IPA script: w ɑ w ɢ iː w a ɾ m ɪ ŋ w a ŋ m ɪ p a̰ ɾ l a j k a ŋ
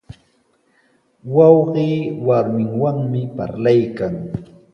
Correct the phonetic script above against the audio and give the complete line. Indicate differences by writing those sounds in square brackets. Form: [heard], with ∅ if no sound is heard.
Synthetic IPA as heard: w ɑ w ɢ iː w a ɾ m ɪ ŋ w a ŋ m ɪ p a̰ ɾ l a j k a ŋ